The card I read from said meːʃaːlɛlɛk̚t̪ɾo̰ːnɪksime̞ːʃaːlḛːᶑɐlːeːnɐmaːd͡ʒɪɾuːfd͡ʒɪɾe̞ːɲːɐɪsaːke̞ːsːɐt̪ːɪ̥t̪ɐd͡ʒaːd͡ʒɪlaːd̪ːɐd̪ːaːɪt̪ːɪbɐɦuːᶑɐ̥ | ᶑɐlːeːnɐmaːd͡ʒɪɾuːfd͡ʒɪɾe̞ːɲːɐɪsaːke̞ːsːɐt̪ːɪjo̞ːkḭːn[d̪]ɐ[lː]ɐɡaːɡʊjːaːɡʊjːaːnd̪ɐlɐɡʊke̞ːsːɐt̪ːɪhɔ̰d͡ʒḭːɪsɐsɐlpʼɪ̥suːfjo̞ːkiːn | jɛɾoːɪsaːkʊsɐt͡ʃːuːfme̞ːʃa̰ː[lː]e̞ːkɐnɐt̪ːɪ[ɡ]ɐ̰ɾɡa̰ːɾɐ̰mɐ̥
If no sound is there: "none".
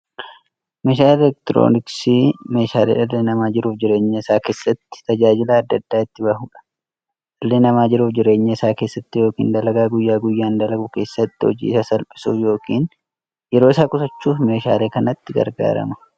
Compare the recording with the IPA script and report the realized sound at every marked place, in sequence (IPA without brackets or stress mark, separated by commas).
d̪, l, l, ɡ